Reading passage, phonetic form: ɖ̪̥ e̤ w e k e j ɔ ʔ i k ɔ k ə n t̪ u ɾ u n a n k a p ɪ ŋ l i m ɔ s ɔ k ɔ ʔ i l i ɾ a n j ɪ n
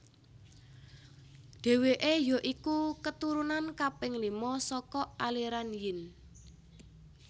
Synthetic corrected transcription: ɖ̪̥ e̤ w e ʔ e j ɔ ʔ i k u k ə t̪ u ɾ u n a n k a p ɪ ŋ l i m ɔ s ɔ k ɔ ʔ a l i ɾ a n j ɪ n

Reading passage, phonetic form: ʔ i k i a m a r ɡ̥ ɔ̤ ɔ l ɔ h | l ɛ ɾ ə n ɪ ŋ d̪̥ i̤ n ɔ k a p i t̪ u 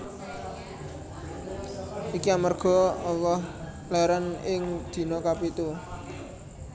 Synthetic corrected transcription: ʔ i k i a m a r ɡ̥ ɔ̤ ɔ l ɔ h | l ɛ ɾ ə n ɪ ŋ d̪̥ i̤ n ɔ k a p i t̪ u

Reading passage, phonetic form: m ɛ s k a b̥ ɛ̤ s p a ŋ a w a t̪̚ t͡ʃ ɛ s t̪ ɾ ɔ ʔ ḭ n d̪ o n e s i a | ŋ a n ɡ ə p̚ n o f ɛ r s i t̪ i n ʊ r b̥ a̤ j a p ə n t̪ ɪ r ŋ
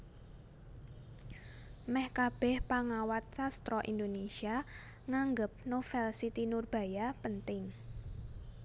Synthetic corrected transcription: m ɛ h k a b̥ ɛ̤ h p a ŋ a w a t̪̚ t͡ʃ a s t̪ ɾ ɔ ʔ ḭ n d̪ o n e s i a | ŋ a ŋ ɡ ə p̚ n o f ɛ l s i t̪ i n ʊ r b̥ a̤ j a p ə n t̪ ɪ ŋ

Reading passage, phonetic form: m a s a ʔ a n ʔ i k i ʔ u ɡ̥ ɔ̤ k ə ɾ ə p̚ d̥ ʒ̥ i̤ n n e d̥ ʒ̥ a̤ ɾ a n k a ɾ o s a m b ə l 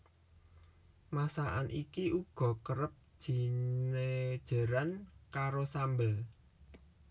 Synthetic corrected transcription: m a s a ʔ a n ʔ i k i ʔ u ɡ̥ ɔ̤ k ə ɾ ə p̚ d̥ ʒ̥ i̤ n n e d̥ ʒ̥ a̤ ɾ a n k a ɾ o s a m b ə l

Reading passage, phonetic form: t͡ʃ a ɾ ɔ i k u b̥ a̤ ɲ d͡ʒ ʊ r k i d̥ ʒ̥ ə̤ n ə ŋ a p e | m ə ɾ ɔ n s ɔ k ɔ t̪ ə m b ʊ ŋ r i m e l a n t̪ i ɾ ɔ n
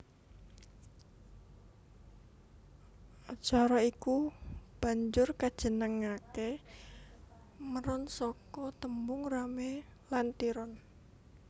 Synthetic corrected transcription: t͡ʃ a ɾ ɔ i k u b̥ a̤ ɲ d͡ʒ ʊ r k a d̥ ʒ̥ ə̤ n ə ŋ a k e | m ə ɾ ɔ n s ɔ k ɔ t̪ ə m b ʊ ŋ r a m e l a n t̪ i ɾ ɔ n

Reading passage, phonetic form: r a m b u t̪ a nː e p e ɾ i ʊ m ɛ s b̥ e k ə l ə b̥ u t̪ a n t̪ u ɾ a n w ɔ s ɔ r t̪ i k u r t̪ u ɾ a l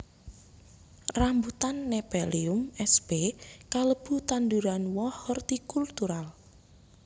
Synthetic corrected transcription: r a m b u t̪ a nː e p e l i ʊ m ɛ s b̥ e k a l ə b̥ u t̪ a n d̪ u ɾ a n w ɔ h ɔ r t̪ i k u l t̪ u ɾ a l

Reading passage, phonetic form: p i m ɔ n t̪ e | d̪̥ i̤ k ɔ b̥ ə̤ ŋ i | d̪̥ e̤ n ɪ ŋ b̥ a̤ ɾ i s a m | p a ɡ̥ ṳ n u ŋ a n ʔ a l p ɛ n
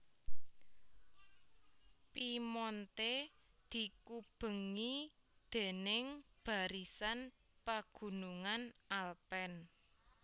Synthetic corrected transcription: p i m ɔ n t̪ e | d̪̥ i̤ k u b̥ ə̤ ŋ i | d̪̥ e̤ n ɪ ŋ b̥ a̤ ɾ i s a n | p a ɡ̥ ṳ n u ŋ a n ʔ a l p ɛ n

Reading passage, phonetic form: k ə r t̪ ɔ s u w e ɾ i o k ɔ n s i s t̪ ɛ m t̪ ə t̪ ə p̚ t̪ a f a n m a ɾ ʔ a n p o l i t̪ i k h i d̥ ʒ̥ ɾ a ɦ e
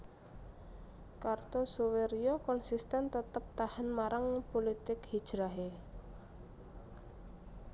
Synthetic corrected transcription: k a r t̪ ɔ s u w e ɾ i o k ɔ n s i s t̪ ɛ n t̪ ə t̪ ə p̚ t̪ a h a n m a ɾ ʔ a ŋ p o l i t̪ ɪ k h i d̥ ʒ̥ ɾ a ɦ e

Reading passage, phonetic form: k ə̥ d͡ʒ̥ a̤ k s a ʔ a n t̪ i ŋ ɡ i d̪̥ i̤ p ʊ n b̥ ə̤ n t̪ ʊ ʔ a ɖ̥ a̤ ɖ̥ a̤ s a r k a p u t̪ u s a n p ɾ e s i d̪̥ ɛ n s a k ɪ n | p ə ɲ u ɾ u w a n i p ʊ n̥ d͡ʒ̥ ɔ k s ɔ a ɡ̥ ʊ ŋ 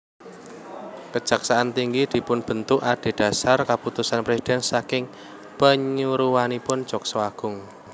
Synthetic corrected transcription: k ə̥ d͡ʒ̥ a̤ k s a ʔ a n t̪ i ŋ ɡ i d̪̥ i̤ p ʊ n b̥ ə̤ n t̪ ʊ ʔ a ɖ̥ e̤ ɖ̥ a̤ s a r k a p u t̪ u s a n p ɾ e s i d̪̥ ɛ n s a k ɪ ŋ | p ə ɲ u ɾ u w a n i p ʊ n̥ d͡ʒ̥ ɔ k s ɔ a ɡ̥ ʊ ŋ

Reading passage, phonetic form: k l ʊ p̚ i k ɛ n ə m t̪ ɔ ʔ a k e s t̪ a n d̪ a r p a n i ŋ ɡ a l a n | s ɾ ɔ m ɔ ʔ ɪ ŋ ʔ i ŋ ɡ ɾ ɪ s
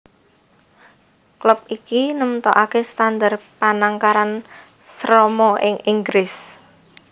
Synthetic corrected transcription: k l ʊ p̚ i k i n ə m t̪ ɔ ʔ a k e s t̪ a n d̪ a r p a n a ŋ k a ɾ a n | s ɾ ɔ m ɔ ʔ ɪ ŋ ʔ i ŋ ɡ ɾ ɪ s

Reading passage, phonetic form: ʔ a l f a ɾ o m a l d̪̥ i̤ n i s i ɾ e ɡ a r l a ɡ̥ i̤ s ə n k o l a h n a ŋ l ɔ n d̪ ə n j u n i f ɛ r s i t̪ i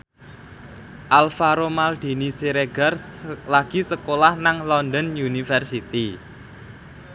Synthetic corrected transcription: ʔ a l f a ɾ o m a l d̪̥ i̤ n i s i ɾ e ɡ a r l a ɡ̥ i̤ s ə k o l a h n a ŋ l ɔ n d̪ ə n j u n i f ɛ r s i t̪ i

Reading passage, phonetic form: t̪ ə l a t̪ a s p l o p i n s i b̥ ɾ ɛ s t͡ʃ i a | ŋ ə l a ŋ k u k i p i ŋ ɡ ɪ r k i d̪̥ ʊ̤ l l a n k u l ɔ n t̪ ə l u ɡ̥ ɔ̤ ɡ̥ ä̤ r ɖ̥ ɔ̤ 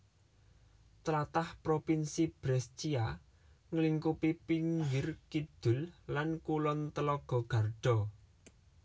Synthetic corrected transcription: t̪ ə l a t̪ a h p ɾ o p i n s i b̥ ɾ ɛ s t͡ʃ i a | ŋ ə l i ŋ k u p i p i ŋ ɡ ɪ r k i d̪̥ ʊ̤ l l a n k u l ɔ n t̪ ə l ɔ ɡ̥ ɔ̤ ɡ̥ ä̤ r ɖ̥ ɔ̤

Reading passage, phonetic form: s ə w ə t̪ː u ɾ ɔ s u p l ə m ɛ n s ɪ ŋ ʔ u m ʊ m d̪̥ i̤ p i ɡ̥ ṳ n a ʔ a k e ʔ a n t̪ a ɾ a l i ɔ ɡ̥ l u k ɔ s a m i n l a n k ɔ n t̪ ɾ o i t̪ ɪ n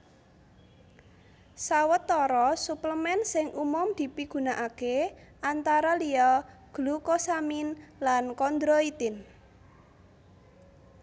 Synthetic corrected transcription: s a w ə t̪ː ɔ ɾ ɔ s u p l ə m ɛ n s ɪ ŋ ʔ u m ʊ m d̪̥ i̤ p i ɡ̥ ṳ n a ʔ a k e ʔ a n t̪ a ɾ a l i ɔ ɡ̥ l u k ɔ s a m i n l a n k ɔ n d̪ ɾ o i t̪ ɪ n

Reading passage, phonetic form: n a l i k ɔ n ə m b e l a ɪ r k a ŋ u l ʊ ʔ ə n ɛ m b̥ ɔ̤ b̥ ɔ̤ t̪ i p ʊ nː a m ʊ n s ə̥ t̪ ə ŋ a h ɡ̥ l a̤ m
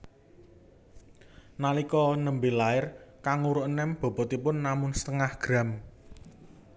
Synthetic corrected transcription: n a l i k ɔ n ə m b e l a ɪ r k a ŋ u ɾ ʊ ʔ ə n ɛ m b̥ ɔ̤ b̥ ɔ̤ t̪ i p ʊ nː a m ʊ n s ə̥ t̪ ə ŋ a h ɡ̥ ɾ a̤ m

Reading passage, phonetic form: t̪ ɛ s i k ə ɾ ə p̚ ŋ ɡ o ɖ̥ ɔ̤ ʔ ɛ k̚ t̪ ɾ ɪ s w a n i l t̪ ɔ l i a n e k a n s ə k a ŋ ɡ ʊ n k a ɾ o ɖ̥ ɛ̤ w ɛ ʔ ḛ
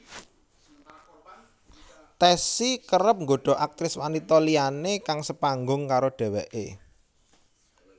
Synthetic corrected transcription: t̪ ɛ s i k ə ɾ ə p̚ ŋ ɡ o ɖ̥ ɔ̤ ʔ a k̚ t̪ ɾ ɪ s w a n i t̪ ɔ l i a n e k a ŋ s ə p a ŋ ɡ ʊ ŋ k a ɾ o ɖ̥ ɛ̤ w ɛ ʔ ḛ

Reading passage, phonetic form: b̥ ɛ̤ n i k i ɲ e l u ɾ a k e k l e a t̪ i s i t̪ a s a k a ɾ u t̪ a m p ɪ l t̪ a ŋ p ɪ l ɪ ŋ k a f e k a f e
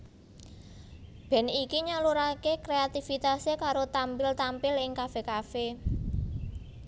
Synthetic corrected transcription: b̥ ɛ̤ n i k i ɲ a l u ɾ a k e k ɾ e a t̪ i f i t̪ a s e k a ɾ o t̪ a m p ɪ l t̪ a m p ɪ l ɪ ŋ k a f e k a f e

